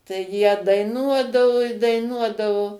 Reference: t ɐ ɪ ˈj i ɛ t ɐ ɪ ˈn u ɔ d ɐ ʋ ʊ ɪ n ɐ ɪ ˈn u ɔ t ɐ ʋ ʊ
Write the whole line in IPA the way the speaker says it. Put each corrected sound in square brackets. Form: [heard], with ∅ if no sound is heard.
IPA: t ɐ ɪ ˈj i ɛ [d] ɐ ɪ ˈn u ɔ d ɐ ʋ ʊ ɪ [d] ɐ ɪ ˈn u ɔ [d] ɐ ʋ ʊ